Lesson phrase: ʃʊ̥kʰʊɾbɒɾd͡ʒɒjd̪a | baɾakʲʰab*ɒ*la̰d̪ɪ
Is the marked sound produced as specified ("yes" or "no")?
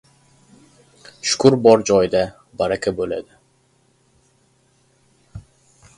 no